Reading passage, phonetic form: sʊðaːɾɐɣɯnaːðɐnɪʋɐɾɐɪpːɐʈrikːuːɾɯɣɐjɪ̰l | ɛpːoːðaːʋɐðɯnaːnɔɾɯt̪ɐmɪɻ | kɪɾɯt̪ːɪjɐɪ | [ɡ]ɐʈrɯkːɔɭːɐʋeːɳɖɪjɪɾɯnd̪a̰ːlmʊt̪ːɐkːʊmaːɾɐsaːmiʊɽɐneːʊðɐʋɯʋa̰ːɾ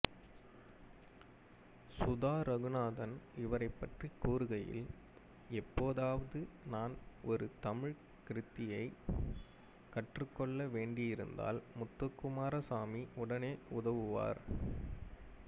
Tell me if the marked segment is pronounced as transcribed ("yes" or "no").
no